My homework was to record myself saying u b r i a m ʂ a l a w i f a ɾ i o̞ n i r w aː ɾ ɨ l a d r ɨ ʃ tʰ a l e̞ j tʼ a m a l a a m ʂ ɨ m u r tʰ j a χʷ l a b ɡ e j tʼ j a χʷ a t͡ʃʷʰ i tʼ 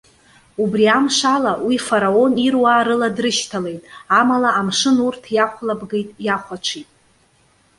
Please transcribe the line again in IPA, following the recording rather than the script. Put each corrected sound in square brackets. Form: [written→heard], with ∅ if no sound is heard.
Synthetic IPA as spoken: u b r i a m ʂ a l a w i f a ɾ [i→a] o̞ n i r w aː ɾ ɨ l a d r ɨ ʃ tʰ a l e̞ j tʼ a m a l a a m ʂ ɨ [m→n] u r tʰ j a χʷ l a b ɡ e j tʼ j a χʷ a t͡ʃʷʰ i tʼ